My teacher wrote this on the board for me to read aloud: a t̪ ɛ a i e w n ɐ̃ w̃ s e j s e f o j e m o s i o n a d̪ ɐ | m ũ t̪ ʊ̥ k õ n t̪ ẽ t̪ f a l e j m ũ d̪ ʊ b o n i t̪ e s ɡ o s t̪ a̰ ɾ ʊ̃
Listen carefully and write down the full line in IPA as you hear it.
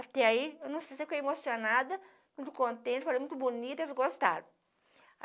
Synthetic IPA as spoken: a t̪ ɛ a i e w n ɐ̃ w̃ s e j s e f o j e m o s i o n a d̪ ɐ | m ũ t̪ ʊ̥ k õ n t̪ ẽ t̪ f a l e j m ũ t̪ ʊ b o n i t̪ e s ɡ o s t̪ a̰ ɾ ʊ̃